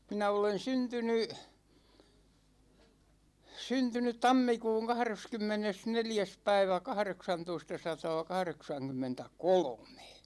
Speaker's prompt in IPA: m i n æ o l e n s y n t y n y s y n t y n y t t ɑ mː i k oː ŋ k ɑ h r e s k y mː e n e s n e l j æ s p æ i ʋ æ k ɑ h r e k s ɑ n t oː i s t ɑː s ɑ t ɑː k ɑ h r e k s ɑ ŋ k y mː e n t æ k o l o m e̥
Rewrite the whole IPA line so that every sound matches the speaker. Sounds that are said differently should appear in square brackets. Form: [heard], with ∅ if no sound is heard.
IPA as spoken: m i n æ o l e n s y n t y n y s y n t y n y t t ɑ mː i k [uː] ŋ k ɑ h r e s k y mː e n e s n e l j æ s p æ i ʋ æ k ɑ h r e k s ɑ n t [o] i s t [ɑ] s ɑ t ɑː k ɑ h r e k s ɑ ŋ k y mː e n t æ k o l o m e̥